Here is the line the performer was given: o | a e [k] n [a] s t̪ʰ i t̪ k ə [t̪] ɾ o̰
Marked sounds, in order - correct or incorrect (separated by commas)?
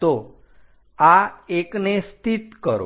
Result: correct, incorrect, incorrect